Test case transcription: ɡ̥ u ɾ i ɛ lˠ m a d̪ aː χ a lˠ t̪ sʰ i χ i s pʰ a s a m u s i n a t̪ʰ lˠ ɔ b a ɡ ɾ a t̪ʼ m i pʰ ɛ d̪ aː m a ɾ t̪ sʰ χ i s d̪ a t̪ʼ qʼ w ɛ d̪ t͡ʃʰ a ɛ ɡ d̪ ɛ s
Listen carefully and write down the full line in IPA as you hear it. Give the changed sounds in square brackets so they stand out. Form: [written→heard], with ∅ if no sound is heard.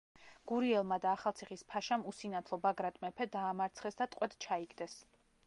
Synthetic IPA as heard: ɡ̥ u ɾ i ɛ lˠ m a d̪ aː χ a lˠ t̪ sʰ i χ i s pʰ a [s→ʃ] a m u s i n a t̪ʰ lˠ ɔ b a ɡ ɾ a t̪ʼ m [i→ɛ] pʰ ɛ d̪ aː m a ɾ t̪ sʰ χ [i→ɛ] s d̪ a t̪ʼ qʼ w ɛ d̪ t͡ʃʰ a [ɛ→i] ɡ d̪ ɛ s